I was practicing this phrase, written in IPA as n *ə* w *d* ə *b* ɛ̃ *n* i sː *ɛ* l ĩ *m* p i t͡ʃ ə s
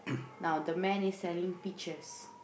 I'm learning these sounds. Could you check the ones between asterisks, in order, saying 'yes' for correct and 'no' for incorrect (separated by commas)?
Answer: no, yes, no, yes, yes, no